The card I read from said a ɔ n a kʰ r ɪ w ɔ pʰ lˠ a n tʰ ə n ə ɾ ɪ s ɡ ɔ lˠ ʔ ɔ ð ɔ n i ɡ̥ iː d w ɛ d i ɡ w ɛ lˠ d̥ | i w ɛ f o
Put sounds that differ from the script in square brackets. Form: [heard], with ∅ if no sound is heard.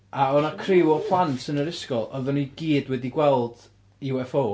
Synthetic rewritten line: a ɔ n a kʰ r ɪ w ɔ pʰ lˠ a n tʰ ə n ə ɾ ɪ s [k] ɔ lˠ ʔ ɔ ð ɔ n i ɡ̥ iː d w ɛ d i ɡ w ɛ lˠ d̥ | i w ɛ f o